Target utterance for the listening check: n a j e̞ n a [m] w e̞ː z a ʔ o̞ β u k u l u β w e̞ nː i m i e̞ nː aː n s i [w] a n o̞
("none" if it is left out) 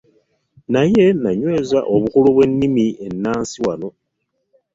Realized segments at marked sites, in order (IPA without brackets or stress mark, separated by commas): ɲ, w